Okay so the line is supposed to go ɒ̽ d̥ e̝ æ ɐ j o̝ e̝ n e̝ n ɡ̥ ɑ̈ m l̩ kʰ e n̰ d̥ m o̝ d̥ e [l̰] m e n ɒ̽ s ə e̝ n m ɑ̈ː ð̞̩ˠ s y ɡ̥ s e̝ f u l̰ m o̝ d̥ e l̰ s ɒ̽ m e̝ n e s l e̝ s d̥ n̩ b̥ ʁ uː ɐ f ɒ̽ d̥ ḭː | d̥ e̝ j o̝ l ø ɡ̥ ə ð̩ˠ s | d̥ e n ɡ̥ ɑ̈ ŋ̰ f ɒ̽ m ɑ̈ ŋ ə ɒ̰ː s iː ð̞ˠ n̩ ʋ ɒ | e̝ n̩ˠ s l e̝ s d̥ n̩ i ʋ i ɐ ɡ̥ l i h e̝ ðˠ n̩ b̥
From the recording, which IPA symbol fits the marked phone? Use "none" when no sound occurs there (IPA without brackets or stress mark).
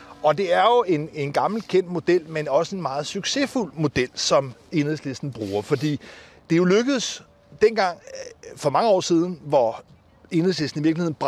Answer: l̰